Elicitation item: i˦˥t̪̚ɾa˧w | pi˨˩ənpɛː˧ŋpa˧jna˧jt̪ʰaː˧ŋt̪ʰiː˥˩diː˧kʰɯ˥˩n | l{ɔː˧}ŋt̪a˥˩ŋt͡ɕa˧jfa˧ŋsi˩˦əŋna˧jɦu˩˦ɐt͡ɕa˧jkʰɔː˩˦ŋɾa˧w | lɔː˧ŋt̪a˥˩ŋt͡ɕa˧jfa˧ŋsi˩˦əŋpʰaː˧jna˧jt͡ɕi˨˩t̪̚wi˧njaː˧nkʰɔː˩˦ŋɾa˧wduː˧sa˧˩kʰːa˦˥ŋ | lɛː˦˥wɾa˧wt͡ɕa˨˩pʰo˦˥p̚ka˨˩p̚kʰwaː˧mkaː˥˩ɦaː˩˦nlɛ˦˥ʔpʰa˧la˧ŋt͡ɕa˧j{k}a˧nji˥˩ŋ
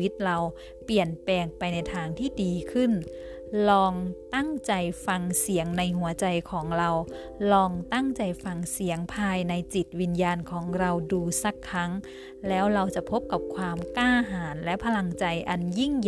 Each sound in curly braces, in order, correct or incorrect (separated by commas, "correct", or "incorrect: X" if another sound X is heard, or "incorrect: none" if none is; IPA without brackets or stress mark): correct, incorrect: ʔ